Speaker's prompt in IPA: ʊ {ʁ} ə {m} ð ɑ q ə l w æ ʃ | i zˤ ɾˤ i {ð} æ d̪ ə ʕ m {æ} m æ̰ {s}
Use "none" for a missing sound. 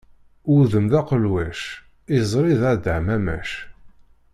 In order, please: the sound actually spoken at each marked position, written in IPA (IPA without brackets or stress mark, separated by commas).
ð, m, ð, æ, ʃ